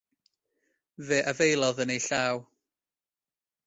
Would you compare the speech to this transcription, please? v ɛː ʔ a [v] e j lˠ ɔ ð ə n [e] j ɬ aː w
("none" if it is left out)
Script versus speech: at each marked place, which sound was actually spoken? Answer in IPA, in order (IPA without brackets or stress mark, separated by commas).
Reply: v, e